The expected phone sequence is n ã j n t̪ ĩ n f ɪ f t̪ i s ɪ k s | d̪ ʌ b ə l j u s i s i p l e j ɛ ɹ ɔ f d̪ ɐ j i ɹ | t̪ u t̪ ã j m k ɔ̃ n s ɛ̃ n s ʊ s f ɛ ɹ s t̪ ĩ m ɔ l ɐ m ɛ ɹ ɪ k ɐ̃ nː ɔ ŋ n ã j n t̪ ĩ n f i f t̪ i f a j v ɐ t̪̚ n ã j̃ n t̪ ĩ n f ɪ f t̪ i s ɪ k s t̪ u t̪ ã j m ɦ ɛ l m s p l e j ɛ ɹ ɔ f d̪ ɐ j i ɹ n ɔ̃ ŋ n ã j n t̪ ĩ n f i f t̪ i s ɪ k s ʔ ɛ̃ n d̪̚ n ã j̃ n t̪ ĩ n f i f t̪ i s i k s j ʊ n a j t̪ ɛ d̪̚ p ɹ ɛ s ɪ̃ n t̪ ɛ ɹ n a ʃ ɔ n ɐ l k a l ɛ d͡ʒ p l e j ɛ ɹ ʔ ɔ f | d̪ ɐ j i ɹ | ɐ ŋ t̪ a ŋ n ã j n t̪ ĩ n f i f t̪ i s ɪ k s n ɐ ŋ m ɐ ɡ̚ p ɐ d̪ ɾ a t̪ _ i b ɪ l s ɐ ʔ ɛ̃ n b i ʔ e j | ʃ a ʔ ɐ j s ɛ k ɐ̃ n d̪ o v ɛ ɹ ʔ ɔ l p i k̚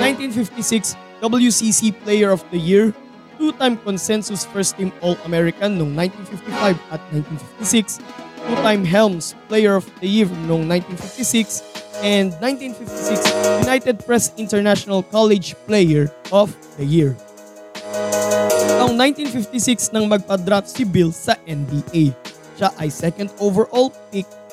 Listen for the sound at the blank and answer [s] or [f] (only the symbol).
s